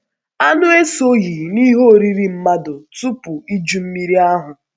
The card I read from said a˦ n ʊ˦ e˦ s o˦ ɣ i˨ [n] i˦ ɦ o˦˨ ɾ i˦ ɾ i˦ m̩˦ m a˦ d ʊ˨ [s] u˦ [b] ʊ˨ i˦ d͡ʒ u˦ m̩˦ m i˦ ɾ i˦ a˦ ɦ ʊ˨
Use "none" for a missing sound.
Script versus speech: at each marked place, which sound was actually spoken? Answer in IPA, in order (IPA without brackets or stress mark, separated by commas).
n, t, p